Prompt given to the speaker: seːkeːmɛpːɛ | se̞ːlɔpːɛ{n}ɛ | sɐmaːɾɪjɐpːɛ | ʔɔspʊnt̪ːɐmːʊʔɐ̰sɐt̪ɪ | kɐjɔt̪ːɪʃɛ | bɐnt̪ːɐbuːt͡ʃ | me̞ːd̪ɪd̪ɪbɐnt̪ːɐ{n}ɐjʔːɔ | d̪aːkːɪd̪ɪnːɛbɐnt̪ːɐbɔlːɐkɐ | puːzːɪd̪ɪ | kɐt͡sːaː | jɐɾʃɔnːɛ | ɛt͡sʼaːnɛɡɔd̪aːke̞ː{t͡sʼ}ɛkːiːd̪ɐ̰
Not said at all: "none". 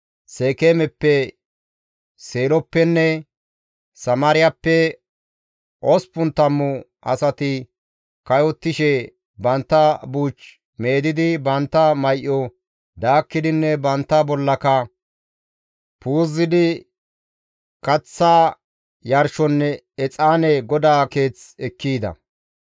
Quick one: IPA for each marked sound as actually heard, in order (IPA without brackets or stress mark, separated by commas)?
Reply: nː, m, t͡s